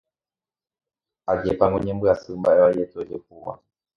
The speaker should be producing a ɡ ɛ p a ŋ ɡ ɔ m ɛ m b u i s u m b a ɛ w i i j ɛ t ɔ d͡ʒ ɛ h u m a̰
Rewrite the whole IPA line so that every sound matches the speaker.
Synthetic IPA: a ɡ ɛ p a ŋ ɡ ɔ ɲ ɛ m b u a s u m b a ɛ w a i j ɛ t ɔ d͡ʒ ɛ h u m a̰